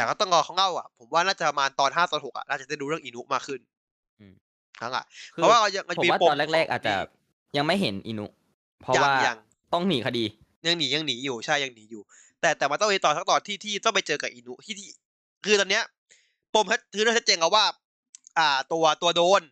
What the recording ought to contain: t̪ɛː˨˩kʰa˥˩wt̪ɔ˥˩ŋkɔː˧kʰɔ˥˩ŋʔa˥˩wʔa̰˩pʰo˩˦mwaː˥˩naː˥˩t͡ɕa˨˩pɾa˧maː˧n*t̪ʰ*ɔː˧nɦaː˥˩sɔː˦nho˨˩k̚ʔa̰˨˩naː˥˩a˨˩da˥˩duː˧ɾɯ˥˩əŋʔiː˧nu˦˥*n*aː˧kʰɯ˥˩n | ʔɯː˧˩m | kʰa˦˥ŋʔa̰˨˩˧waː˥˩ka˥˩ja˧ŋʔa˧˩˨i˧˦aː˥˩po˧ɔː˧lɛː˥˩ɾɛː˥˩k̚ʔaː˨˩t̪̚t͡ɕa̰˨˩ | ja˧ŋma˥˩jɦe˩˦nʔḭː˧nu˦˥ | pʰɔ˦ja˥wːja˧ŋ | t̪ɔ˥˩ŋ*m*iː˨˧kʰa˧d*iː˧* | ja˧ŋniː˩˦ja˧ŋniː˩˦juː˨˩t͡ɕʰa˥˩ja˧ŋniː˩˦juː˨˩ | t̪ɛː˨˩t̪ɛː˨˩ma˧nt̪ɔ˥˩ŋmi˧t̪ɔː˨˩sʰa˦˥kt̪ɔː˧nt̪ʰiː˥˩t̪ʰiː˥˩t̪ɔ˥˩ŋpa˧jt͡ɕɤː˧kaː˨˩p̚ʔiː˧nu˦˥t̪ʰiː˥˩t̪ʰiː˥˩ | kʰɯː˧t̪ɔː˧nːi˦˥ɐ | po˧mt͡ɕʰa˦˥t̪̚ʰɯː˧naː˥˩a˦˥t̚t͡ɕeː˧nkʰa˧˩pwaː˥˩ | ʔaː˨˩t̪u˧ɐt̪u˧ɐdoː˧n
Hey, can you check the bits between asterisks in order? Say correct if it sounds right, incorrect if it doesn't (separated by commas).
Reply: incorrect, incorrect, correct, correct